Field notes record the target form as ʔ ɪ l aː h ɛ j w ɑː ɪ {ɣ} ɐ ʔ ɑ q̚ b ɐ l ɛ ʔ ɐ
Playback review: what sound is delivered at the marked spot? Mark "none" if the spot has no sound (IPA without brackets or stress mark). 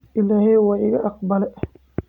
ɣ